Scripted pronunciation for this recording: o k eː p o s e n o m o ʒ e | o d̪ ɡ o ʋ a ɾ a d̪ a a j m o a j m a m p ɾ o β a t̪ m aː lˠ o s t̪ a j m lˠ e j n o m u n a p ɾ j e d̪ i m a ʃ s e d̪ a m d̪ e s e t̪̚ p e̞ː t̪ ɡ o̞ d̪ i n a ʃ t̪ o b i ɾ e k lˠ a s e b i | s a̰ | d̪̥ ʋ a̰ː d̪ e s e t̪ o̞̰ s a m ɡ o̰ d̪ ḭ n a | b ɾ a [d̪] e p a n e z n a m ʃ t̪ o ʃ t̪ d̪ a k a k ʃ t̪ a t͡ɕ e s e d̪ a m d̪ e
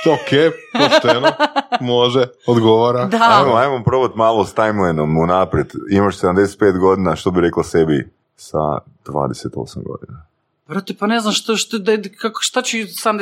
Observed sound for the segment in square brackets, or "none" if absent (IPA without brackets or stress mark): t̪